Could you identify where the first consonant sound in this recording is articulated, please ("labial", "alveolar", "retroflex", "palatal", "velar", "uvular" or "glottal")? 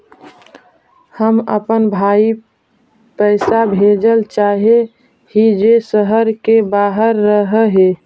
glottal